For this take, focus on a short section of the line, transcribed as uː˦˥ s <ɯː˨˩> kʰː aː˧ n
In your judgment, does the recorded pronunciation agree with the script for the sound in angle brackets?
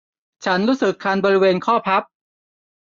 no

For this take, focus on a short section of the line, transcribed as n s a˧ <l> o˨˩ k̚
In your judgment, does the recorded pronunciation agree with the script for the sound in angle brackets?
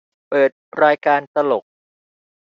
yes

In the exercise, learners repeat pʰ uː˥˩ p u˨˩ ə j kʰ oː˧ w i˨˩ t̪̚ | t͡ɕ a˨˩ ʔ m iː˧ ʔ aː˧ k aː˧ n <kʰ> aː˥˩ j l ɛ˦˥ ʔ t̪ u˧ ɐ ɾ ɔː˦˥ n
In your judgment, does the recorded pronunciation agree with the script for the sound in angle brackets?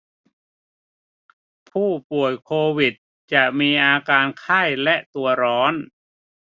yes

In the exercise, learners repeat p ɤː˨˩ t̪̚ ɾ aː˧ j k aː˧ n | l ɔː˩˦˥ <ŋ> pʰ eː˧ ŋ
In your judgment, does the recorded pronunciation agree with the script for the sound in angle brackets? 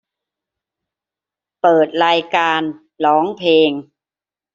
yes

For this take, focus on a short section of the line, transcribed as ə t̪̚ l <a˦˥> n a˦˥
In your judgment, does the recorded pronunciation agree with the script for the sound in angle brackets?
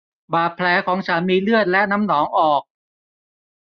no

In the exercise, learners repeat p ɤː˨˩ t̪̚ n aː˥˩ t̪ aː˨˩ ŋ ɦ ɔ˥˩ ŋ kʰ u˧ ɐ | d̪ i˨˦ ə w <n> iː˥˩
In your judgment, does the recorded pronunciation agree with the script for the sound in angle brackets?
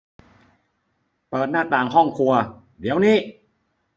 yes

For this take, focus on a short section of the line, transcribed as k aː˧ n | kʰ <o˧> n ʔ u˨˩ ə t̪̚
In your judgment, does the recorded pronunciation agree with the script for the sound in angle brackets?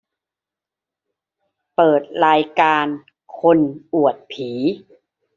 yes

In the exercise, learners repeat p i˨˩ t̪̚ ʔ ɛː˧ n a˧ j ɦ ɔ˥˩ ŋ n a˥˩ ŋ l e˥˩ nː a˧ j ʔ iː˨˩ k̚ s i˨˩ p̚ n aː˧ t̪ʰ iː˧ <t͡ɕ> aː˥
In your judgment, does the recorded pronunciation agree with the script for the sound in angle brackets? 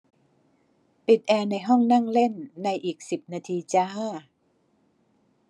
yes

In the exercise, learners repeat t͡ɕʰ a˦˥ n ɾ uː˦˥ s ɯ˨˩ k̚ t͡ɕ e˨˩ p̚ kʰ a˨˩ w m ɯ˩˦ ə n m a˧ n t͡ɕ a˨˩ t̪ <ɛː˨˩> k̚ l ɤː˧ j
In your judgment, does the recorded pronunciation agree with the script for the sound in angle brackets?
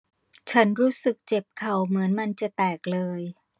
yes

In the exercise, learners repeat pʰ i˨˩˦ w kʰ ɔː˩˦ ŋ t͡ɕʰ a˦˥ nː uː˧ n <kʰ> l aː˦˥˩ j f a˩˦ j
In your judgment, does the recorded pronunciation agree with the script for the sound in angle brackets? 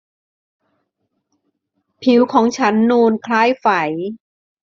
yes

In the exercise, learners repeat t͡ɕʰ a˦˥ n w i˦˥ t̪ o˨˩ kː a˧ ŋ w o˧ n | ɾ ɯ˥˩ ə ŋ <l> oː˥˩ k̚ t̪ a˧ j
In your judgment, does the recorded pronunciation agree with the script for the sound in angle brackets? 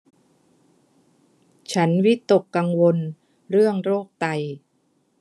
no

